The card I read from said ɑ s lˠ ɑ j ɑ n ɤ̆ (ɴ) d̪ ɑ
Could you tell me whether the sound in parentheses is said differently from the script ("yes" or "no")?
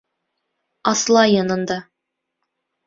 yes